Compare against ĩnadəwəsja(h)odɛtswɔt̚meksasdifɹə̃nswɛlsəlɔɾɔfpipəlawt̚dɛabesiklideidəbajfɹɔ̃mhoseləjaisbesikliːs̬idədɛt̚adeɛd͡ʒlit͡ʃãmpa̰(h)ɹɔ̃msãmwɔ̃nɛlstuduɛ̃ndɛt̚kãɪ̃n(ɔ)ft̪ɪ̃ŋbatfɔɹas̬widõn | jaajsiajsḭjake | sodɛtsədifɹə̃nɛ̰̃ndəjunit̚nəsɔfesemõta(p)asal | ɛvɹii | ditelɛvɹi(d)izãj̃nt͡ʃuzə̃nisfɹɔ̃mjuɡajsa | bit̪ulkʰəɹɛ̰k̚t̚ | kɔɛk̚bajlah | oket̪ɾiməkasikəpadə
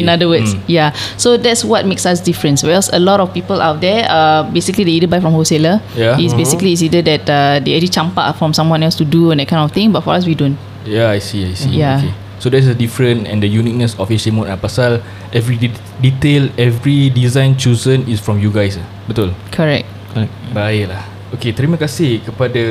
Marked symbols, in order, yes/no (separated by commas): no, no, yes, yes, yes